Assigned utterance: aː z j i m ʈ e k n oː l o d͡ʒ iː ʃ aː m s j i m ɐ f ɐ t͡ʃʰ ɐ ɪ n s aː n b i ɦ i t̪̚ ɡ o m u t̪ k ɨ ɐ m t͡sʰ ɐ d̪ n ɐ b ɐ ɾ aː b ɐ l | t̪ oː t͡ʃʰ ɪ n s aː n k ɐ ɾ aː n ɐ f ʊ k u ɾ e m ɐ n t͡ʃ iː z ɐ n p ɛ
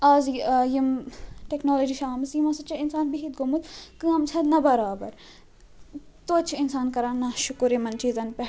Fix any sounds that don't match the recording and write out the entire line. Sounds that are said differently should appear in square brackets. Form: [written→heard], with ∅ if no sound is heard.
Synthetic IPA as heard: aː z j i m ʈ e k n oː l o d͡ʒ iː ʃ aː m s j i m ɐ [f→s] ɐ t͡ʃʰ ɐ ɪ n s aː n b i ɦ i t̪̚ ɡ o m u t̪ k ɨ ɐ m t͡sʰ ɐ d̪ n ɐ b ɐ ɾ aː b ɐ [l→ɾ] | t̪ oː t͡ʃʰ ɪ n s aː n k ɐ ɾ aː n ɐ [f→ʃ] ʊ k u ɾ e m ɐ n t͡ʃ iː z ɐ n p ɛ

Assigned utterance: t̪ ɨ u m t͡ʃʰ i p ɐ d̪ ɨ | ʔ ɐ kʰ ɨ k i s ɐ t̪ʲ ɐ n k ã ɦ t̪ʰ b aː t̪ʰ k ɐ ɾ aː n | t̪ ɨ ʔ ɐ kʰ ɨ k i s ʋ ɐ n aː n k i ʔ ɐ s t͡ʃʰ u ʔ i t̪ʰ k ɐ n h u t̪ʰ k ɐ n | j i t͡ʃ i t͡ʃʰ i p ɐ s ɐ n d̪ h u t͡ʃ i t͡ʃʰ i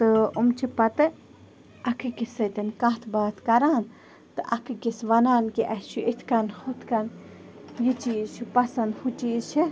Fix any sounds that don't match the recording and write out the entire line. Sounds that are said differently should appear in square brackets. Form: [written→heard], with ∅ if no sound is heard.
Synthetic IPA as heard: t̪ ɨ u m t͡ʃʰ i p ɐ [d̪→t̪] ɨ | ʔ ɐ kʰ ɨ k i s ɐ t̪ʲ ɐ n k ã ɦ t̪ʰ b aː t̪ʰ k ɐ ɾ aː n | t̪ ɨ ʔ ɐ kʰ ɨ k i s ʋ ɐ n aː n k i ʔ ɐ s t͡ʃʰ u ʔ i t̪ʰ k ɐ n h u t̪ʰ k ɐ n | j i t͡ʃ i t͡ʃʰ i p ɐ s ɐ n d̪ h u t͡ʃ i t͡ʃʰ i

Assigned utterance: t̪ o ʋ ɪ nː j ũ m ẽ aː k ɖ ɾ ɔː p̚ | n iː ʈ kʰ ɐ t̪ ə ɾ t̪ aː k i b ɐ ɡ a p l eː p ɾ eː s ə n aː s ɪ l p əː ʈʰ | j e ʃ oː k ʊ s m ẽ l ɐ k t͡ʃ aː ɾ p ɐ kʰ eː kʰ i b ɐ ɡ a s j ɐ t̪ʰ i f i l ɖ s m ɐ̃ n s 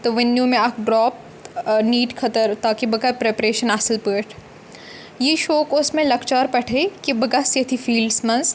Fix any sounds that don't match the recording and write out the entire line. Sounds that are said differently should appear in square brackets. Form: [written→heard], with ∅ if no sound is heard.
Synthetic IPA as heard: t̪ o ʋ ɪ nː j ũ m ẽ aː k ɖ ɾ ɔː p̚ | n iː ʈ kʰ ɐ t̪ ə ɾ t̪ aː k i b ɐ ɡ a p [l→ɾ] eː p ɾ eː [s→ʃ] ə n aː s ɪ l p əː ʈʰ | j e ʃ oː k ʊ s m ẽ l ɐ k t͡ʃ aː ɾ p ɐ [kʰ→ʈʰ] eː [kʰ→k] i b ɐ ɡ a s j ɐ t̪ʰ i f [i→iː] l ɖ s m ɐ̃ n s

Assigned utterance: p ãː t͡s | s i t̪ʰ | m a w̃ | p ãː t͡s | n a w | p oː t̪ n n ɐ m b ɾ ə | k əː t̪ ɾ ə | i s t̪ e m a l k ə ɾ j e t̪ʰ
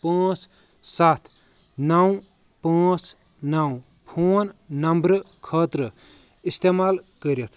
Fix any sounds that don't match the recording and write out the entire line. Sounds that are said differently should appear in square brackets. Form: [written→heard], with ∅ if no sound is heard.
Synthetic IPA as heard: p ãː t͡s | s [i→a] t̪ʰ | [m→n] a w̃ | p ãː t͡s | n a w | [p→pʰ] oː [t̪→∅] n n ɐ m b ɾ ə | [k→kʰ] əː t̪ ɾ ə | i s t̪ e m a l k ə ɾ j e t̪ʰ

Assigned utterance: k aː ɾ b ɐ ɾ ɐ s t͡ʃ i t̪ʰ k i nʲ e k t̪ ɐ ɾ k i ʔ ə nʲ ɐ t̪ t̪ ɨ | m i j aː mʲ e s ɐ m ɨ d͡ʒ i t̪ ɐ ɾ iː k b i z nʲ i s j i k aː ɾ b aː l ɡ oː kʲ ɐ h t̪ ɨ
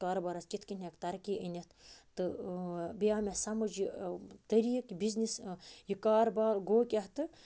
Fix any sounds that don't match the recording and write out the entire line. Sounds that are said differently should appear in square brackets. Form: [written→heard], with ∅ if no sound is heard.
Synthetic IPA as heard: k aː ɾ b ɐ ɾ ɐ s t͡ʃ i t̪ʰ k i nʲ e k t̪ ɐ ɾ k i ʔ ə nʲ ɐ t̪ t̪ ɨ | [m→b] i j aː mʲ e s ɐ m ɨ d͡ʒ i t̪ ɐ ɾ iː k b i z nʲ i s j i k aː ɾ b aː l ɡ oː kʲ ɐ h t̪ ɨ

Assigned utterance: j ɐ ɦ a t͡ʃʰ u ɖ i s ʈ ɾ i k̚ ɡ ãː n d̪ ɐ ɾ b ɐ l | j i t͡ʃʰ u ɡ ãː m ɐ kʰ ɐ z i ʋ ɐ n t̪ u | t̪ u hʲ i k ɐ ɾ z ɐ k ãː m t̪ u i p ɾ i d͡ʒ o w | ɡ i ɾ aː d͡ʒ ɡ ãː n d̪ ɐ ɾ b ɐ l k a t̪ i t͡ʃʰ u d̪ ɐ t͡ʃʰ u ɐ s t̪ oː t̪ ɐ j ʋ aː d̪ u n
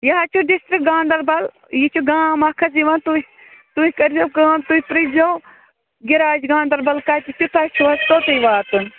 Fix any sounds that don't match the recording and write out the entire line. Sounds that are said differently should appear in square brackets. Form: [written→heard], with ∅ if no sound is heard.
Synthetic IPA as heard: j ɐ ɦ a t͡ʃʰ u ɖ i s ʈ ɾ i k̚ ɡ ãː n d̪ ɐ ɾ b ɐ l | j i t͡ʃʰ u ɡ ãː m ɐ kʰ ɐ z i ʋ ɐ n t̪ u | t̪ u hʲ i k ɐ ɾ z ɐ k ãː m t̪ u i p ɾ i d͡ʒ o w | ɡ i ɾ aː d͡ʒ ɡ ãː n d̪ ɐ ɾ b ɐ l k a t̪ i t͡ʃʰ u [d̪→t̪] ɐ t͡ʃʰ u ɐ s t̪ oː t̪ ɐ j ʋ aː [d̪→t̪] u n

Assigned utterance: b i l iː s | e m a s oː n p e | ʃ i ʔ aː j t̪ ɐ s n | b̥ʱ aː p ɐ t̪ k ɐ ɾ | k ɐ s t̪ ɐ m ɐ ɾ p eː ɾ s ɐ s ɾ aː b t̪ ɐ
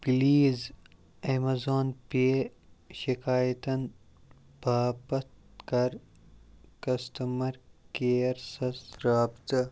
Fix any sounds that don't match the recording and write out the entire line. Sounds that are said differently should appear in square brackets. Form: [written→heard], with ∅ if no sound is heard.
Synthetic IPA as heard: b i l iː [s→z] | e m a [s→z] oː n p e | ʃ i [ʔ→k] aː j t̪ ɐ [s→∅] n | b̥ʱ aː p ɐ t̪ k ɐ ɾ | k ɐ s t̪ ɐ m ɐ ɾ [p→k] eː ɾ s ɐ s ɾ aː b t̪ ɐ

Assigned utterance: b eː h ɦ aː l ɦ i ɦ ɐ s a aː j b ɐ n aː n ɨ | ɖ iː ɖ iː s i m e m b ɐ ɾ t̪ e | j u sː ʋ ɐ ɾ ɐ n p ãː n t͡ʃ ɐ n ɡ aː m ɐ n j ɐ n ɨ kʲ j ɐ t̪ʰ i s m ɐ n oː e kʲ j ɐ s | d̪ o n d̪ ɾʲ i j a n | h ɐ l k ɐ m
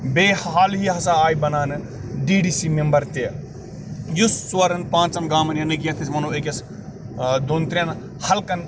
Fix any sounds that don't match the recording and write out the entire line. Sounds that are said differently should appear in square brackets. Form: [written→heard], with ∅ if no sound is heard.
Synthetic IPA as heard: b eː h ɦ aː l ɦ i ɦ ɐ s a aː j b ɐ n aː n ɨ | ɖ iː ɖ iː s i m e m b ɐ ɾ t̪ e | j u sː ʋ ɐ ɾ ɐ n p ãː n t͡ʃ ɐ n ɡ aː m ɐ n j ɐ n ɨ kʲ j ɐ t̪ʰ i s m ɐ n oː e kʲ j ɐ s | d̪ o n [d̪→t̪] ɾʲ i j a n | h ɐ l k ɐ [m→n]

